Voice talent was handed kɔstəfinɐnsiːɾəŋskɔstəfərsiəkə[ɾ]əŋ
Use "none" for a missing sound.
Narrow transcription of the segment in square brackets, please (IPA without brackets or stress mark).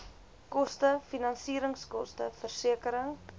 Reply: ɾ